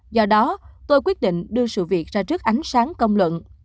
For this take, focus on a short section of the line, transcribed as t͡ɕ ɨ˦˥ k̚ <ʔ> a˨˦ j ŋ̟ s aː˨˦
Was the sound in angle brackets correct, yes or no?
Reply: yes